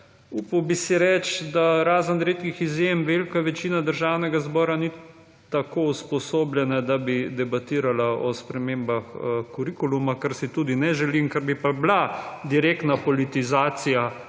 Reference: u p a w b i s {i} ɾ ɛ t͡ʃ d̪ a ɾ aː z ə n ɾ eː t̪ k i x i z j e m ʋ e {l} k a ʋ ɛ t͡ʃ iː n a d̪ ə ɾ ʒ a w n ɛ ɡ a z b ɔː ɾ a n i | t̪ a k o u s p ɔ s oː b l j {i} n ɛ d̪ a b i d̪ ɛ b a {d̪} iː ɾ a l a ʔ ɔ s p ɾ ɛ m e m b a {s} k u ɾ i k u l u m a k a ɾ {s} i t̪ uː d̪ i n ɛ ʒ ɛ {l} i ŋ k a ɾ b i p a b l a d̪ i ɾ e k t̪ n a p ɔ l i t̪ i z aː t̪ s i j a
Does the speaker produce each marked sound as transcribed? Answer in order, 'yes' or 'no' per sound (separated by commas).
yes, yes, no, no, no, yes, yes